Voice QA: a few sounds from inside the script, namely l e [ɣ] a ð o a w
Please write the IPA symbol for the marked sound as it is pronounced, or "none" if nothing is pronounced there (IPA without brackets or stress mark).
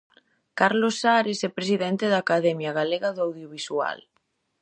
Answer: ɣ